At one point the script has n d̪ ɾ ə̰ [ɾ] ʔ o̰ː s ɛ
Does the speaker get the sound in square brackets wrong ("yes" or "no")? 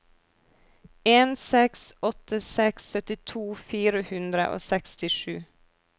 yes